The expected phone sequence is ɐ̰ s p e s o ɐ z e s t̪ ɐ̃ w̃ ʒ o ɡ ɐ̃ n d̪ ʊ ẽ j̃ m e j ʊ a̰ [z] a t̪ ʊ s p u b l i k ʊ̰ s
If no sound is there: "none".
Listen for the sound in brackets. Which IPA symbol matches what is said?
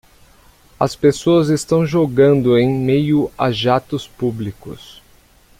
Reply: ʒ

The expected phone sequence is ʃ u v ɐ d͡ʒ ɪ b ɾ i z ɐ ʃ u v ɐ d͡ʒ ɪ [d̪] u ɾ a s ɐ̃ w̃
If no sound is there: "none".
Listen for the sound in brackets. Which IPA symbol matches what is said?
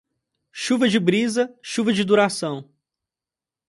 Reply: d̪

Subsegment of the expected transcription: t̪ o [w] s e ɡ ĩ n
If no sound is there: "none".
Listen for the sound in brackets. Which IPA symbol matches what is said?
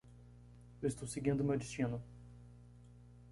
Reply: w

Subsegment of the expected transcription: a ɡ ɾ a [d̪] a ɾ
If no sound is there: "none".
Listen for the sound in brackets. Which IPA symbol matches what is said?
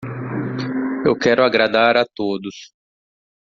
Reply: d̪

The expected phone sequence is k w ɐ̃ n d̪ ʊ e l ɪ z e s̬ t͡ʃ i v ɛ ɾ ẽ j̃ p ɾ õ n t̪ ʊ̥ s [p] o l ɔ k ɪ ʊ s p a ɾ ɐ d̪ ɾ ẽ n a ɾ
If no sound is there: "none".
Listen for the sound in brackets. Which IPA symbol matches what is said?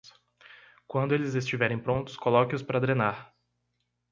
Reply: k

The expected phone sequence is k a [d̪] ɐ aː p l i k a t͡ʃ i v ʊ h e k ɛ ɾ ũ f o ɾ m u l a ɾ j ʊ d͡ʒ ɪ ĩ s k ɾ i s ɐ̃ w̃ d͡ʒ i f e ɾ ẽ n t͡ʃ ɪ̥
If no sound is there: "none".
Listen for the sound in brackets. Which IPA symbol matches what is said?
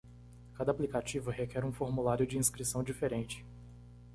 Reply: d̪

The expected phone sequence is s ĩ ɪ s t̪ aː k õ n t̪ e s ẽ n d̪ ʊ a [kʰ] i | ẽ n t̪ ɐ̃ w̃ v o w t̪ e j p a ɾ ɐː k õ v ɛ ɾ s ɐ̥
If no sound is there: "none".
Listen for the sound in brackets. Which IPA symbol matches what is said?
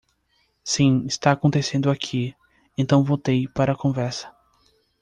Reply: kʰ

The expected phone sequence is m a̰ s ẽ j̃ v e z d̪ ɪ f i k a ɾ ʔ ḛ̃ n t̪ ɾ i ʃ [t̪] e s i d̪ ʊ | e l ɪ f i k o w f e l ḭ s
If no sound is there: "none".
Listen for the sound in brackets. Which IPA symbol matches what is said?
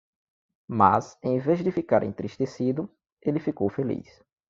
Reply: t̪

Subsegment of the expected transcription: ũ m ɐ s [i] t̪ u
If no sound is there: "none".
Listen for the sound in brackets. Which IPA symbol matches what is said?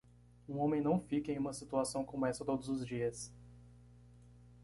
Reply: i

